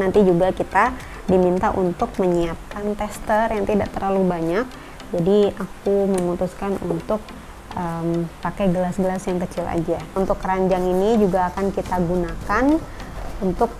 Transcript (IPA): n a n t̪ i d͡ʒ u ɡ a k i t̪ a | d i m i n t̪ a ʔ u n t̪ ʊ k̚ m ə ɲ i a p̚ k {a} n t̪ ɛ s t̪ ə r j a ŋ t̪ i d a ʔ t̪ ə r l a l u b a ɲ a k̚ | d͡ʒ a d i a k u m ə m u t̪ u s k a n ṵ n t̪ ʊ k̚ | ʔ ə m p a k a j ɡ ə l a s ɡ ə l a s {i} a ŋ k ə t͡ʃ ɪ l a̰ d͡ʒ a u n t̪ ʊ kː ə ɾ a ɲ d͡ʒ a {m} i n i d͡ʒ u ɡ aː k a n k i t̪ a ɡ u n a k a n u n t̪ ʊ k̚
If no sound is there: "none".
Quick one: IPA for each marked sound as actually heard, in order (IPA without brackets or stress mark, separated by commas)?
a, j, ŋ